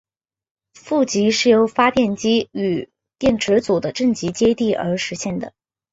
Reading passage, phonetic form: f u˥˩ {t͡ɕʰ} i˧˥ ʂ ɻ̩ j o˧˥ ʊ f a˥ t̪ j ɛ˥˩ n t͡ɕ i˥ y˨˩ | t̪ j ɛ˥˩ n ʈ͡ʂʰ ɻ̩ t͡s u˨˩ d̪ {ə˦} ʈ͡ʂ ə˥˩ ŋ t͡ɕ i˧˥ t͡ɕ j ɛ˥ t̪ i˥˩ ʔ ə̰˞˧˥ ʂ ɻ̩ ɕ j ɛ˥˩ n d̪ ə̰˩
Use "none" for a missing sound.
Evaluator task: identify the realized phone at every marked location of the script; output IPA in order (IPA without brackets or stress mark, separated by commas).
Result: t͡ɕ, ə˦